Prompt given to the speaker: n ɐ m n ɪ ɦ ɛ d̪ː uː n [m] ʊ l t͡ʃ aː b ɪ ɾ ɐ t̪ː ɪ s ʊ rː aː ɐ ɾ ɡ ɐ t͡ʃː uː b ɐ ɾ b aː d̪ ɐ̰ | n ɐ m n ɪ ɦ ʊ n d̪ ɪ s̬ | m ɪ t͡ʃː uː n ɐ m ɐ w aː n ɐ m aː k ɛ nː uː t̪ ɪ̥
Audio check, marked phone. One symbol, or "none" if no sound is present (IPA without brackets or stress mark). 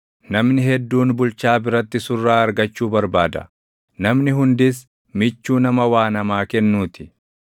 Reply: b